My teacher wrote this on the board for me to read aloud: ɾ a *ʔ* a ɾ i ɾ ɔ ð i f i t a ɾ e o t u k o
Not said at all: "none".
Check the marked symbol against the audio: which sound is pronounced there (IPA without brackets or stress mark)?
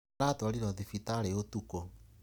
t